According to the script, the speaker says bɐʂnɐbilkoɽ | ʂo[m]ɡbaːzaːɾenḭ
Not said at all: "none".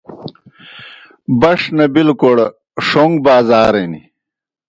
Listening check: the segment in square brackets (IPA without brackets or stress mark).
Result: ŋ